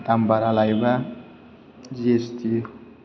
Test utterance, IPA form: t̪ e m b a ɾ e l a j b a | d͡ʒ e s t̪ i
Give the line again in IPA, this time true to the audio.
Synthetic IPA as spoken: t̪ a m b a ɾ a l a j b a | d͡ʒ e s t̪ i